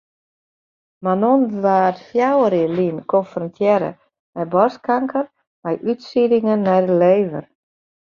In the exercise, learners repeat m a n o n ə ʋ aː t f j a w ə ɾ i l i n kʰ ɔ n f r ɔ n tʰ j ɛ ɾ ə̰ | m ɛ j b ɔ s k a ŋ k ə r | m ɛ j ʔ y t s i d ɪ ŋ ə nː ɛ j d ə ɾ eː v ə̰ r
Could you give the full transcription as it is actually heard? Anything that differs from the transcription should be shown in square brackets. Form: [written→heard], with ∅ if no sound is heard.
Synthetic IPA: m a n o n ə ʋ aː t f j a w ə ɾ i l i n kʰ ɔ n f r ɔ n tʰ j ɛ ɾ ə̰ | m ɛ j b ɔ s k a ŋ k ə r | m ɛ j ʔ y t s i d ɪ ŋ ə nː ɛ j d ə [ɾ→l] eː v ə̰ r